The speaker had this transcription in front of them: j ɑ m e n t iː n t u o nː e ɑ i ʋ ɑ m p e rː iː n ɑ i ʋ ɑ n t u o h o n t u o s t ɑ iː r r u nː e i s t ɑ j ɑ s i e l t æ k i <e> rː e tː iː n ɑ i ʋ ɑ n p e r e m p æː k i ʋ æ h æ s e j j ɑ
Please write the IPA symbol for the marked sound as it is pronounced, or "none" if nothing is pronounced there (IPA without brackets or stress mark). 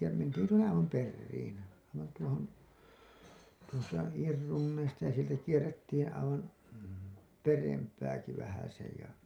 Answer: e